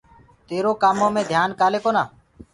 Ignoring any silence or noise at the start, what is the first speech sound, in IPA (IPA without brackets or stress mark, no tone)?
t̪